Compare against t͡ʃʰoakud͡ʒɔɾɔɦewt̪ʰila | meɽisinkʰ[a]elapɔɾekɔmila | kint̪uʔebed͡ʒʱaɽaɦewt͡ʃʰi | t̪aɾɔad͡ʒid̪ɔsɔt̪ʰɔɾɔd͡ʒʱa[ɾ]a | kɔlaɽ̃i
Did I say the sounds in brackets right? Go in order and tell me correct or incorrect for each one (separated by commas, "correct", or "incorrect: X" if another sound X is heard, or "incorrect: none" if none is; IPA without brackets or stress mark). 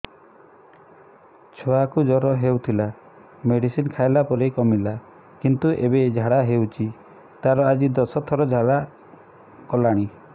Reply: correct, incorrect: ɽ